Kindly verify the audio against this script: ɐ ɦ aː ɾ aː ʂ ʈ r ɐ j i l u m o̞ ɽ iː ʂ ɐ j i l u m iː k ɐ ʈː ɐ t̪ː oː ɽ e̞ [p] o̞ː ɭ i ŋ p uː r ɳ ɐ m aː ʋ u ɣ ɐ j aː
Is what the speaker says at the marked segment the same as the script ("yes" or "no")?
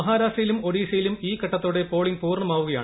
yes